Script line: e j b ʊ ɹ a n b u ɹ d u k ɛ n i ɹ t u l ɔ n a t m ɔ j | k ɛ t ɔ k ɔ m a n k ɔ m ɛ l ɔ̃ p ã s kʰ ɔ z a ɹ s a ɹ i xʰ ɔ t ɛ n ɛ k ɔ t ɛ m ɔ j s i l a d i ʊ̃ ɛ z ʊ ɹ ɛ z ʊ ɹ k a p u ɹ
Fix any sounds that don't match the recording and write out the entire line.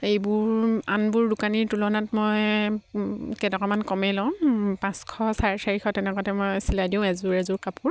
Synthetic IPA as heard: e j b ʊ ɹ a n b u ɹ d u k a n i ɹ t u l ɔ n a t m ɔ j | k ɛ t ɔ k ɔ m a n k ɔ m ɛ l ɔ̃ p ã s kʰ ɔ s a ɹ s a ɹ i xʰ ɔ t ɛ n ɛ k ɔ t ɛ m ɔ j s i l a d i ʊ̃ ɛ z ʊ ɹ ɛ z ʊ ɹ k a p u ɹ